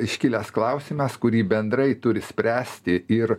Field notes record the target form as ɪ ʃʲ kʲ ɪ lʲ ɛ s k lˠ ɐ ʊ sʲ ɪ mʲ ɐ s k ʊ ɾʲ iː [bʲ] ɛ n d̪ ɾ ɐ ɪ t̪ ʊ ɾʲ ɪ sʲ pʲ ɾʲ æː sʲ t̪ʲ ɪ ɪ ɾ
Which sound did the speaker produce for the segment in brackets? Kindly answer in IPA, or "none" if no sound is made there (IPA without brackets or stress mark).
bʲ